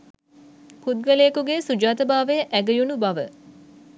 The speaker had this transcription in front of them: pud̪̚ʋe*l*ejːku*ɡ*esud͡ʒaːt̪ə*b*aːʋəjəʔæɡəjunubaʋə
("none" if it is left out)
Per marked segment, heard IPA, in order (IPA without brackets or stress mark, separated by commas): l, ɡ, b